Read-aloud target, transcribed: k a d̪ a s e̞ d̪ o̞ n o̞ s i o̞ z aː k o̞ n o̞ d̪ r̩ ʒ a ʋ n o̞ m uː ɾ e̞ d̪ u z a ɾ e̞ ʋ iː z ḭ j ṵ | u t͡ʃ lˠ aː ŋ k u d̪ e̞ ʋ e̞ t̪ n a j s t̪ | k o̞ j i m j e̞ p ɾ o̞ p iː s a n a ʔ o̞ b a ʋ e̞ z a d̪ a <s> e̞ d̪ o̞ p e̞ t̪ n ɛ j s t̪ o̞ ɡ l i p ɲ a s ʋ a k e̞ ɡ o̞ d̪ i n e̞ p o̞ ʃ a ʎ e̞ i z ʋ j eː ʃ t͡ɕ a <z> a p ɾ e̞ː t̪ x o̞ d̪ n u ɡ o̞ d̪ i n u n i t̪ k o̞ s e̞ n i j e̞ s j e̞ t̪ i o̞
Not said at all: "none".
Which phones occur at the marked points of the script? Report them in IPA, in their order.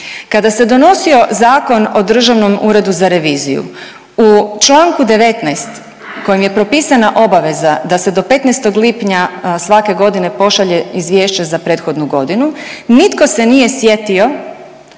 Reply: s, z

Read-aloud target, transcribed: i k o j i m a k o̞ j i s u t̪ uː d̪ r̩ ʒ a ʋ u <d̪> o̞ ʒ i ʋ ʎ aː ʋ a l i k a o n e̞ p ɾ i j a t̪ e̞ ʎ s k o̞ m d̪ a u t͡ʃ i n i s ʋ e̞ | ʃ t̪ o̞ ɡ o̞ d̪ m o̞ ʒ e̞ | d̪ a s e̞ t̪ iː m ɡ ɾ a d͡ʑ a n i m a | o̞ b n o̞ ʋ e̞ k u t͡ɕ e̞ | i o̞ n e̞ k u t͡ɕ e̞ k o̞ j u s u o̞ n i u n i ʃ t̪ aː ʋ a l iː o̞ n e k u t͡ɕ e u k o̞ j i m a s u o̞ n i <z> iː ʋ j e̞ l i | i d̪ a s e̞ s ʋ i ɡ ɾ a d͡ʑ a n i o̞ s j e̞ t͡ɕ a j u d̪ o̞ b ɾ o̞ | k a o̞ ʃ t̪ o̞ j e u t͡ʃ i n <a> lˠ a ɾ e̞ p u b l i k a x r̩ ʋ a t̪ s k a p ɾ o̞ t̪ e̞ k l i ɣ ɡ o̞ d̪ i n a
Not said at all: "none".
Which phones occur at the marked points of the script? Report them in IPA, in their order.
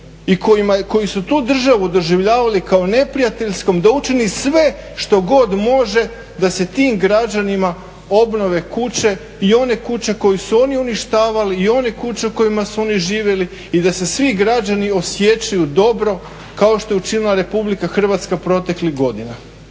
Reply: d̪, ʒ, i

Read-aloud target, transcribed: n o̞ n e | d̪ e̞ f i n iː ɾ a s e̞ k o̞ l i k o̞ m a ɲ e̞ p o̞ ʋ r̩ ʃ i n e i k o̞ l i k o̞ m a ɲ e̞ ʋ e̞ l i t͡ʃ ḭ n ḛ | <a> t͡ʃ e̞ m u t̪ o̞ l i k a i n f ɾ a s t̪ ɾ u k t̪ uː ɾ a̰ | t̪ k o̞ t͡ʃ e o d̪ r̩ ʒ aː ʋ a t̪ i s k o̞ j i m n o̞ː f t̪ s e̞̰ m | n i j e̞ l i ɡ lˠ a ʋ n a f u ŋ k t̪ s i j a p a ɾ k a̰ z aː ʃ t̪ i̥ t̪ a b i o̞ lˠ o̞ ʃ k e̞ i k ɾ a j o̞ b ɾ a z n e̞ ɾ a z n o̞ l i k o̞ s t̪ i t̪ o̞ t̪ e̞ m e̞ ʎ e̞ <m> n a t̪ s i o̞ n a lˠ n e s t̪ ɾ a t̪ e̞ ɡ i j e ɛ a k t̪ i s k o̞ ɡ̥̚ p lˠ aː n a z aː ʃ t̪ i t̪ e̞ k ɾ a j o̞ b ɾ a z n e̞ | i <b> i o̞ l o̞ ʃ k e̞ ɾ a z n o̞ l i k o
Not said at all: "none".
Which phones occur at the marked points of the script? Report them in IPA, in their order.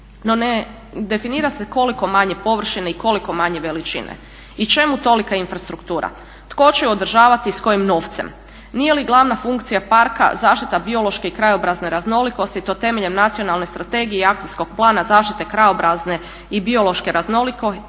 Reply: i, m, b

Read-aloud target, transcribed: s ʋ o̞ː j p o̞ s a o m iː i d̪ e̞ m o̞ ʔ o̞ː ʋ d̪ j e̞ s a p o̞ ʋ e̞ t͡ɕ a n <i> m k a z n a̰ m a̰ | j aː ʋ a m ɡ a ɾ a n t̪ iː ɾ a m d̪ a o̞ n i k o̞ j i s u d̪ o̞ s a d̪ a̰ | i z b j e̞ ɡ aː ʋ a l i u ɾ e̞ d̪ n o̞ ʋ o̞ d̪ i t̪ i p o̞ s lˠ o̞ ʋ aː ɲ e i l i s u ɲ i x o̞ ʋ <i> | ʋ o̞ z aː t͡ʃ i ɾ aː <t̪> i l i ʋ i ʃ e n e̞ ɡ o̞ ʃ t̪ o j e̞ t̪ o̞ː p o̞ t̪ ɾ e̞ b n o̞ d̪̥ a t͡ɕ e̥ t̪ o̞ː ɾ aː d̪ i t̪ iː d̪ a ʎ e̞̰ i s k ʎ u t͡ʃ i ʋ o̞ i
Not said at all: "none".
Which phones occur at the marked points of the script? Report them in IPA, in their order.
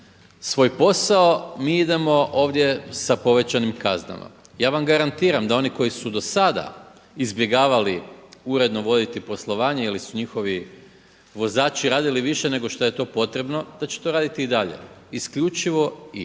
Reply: i, i, d̪

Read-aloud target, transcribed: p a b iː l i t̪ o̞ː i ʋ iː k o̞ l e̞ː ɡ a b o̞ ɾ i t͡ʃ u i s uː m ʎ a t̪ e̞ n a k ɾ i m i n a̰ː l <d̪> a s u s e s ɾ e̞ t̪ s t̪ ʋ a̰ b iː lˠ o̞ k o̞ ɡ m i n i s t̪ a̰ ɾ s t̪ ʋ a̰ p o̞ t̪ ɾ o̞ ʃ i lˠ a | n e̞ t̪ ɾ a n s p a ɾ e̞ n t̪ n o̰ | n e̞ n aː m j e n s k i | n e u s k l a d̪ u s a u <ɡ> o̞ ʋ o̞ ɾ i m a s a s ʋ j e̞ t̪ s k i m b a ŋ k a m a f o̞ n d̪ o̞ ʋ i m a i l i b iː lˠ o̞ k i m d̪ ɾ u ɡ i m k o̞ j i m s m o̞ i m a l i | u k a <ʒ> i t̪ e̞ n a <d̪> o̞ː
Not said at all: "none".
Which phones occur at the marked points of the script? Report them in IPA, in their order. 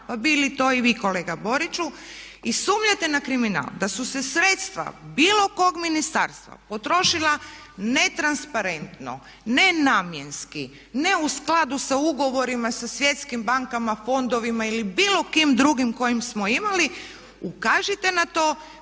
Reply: d̪, ɡ, ʒ, t̪

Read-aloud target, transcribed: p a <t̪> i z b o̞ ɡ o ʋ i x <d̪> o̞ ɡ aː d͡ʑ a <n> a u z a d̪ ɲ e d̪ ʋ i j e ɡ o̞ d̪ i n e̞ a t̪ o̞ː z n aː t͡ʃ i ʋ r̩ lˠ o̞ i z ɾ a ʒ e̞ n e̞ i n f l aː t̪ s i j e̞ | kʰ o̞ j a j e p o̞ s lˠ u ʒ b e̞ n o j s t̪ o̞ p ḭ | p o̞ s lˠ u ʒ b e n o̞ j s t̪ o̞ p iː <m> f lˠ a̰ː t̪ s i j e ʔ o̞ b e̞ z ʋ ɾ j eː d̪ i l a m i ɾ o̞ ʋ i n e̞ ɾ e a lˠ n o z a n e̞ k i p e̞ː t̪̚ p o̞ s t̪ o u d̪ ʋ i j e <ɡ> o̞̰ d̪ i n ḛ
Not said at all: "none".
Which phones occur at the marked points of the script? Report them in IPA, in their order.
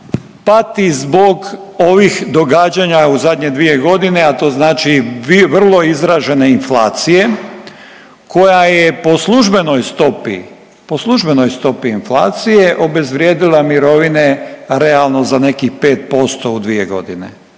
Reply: t̪, d̪, ɲ, n, ɡ

